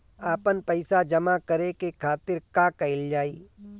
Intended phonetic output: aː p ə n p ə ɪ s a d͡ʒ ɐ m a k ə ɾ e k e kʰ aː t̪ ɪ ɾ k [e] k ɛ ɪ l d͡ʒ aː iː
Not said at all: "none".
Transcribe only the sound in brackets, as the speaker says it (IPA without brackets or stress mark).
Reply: a